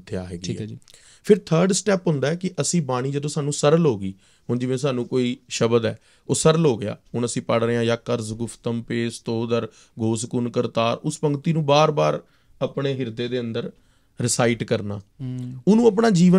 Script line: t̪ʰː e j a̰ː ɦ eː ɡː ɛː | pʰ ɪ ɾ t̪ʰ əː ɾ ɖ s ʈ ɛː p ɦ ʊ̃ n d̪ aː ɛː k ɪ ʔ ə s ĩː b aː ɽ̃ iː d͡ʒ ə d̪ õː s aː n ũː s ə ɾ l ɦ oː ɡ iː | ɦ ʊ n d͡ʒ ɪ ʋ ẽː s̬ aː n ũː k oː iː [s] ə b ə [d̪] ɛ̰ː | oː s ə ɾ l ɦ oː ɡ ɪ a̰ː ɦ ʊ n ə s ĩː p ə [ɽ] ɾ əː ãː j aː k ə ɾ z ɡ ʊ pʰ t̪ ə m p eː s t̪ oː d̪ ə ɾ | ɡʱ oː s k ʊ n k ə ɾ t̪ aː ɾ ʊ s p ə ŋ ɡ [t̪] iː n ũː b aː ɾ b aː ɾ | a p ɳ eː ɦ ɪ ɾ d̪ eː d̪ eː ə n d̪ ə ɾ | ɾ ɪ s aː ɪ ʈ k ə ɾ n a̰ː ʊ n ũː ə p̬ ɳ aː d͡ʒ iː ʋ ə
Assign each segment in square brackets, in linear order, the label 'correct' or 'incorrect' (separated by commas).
incorrect, correct, correct, correct